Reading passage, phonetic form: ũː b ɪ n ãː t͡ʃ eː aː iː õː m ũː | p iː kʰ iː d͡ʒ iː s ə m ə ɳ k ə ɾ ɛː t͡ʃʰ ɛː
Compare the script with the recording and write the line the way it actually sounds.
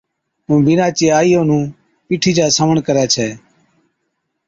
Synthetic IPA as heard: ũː b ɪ n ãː t͡ʃ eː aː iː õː n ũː | p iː ʈʰ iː d͡ʒ aː s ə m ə ɳ k ə ɾ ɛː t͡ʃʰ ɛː